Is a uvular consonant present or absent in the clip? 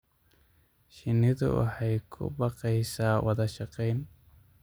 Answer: present